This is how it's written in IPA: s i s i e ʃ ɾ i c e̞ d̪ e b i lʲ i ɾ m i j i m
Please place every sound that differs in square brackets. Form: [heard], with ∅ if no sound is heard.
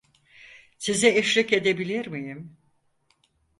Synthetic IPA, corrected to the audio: s i [z] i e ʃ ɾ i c e̞ d̪ e b i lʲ i ɾ m i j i m